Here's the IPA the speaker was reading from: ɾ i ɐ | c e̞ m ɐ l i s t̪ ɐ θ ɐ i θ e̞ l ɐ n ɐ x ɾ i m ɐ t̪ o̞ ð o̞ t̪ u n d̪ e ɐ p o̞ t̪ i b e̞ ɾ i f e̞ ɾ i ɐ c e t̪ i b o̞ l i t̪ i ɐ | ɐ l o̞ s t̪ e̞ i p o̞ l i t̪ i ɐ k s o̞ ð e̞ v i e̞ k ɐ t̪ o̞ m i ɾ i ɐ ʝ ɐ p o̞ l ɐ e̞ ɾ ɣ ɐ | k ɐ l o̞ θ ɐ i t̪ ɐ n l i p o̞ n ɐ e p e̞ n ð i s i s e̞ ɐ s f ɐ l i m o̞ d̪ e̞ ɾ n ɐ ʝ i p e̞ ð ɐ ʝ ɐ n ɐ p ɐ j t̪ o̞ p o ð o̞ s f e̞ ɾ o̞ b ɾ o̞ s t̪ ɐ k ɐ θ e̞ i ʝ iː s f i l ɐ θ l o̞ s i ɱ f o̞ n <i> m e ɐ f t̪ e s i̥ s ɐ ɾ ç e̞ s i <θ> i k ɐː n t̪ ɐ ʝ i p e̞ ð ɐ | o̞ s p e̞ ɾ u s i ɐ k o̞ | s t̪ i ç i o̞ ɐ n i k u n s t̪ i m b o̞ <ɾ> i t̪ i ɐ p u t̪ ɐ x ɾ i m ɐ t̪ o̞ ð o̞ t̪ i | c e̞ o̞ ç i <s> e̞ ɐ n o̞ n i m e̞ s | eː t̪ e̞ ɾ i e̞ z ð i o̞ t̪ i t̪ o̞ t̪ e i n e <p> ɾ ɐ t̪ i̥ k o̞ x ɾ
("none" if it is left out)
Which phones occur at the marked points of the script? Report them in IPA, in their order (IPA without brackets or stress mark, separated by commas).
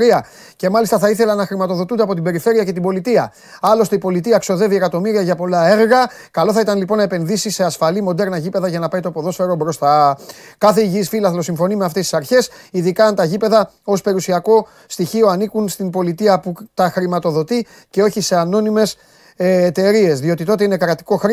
i, ð, l, s, k